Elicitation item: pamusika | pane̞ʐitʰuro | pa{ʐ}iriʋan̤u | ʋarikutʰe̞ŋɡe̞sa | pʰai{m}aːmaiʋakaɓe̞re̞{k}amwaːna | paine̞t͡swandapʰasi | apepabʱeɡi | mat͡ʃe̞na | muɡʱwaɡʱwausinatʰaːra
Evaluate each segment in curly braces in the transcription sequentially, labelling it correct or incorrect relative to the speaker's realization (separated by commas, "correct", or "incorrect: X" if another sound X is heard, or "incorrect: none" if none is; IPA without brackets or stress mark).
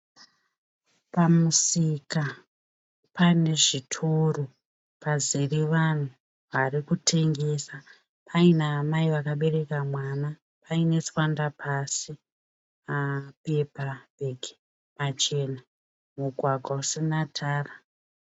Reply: incorrect: z, incorrect: n, correct